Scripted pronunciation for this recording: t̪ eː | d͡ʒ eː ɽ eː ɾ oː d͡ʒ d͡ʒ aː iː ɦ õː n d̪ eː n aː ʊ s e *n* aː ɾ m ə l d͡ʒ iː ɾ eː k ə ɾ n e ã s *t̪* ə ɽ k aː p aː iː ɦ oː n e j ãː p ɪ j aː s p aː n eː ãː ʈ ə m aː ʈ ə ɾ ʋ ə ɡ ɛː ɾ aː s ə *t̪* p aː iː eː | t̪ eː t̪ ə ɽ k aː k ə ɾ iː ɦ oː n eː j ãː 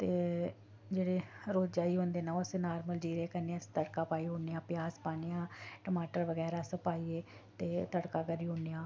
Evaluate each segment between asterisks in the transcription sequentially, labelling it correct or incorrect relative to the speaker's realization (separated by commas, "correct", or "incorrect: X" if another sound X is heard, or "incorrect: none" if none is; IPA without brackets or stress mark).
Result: correct, correct, incorrect: none